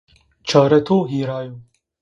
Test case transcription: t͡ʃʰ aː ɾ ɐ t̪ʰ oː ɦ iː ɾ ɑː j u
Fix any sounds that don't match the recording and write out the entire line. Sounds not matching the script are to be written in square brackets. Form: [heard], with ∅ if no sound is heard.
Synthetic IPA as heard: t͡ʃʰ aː ɾ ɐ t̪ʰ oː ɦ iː ɾ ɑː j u